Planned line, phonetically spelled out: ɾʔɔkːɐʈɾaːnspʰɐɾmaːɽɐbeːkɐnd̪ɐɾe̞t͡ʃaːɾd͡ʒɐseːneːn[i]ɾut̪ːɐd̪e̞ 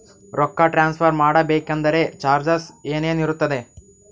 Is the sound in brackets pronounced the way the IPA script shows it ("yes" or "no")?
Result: yes